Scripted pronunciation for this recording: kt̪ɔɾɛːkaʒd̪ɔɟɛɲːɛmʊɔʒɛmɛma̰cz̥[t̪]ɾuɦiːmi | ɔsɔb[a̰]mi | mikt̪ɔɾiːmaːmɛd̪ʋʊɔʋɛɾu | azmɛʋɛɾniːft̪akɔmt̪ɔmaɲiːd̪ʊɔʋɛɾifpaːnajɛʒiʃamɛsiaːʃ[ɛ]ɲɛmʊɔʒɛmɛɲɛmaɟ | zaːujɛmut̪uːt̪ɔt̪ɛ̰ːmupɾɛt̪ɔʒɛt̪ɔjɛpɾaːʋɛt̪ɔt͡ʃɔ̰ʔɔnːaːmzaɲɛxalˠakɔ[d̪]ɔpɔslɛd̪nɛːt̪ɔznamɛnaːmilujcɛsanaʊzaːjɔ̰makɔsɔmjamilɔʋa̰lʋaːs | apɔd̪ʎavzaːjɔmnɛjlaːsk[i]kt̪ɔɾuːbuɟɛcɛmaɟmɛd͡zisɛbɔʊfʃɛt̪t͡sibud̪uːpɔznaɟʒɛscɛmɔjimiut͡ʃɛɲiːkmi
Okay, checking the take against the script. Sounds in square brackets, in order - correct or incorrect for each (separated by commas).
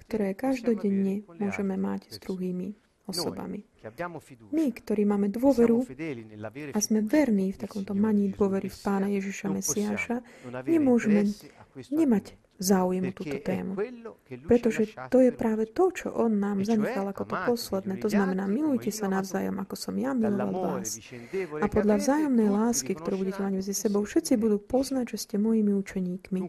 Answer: incorrect, correct, incorrect, incorrect, correct